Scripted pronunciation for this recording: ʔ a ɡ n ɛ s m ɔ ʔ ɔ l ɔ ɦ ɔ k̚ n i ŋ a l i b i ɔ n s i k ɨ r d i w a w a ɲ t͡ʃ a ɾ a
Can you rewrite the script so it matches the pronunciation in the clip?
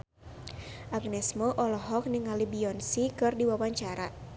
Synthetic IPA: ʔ a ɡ n ɛ s m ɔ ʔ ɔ l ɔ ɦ ɔ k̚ n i ŋ a l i b i ɔ n s i k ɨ r d i w a w a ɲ t͡ʃ a ɾ a